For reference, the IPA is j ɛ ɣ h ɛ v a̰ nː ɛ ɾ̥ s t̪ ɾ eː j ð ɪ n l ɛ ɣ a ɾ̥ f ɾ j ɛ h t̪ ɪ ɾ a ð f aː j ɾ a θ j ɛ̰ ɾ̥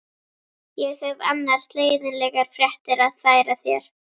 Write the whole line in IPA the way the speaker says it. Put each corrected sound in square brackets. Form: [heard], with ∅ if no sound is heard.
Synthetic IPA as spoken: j ɛ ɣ h ɛ v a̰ nː [a] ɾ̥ s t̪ [l] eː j ð ɪ n l ɛ ɣ a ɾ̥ f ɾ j ɛ h t̪ ɪ ɾ a ð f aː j ɾ a θ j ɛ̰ ɾ̥